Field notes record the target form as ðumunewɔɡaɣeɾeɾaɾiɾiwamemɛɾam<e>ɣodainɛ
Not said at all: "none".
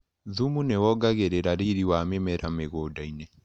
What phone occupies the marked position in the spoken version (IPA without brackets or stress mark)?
e